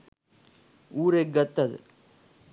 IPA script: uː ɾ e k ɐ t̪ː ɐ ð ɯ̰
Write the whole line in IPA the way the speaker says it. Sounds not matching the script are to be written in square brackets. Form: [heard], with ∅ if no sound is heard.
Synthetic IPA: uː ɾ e [ɡ] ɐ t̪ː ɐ ð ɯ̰